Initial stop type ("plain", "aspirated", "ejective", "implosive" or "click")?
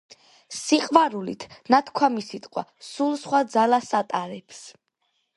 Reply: ejective